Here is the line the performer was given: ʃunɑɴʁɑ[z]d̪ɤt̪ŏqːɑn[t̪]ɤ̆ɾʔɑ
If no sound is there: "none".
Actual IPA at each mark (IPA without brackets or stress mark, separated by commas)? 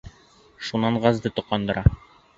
z, d̪